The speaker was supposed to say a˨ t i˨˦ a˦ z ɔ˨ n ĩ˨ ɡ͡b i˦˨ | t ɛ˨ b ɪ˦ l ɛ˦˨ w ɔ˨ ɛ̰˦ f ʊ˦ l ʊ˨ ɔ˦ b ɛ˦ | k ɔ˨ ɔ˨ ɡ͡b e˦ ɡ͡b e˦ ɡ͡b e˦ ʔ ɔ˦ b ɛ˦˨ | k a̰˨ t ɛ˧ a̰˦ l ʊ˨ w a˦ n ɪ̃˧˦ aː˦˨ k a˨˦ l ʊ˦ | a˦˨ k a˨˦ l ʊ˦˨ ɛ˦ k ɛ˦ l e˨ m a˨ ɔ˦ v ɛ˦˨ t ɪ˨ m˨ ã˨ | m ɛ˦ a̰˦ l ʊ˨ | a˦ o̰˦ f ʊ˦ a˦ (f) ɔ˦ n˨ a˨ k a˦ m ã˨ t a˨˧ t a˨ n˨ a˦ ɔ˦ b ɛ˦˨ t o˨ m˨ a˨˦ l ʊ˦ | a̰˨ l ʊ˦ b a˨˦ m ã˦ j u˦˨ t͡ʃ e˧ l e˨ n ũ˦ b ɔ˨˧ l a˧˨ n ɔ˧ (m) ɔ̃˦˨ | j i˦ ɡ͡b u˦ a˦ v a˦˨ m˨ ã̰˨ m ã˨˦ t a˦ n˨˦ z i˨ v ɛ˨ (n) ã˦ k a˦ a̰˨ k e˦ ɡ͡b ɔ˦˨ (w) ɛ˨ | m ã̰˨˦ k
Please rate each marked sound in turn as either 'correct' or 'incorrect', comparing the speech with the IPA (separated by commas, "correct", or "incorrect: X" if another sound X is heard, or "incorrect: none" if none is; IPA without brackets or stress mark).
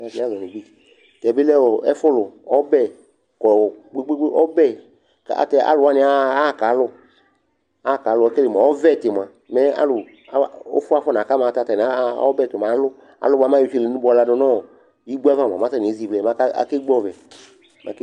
correct, incorrect: n, incorrect: m, incorrect: v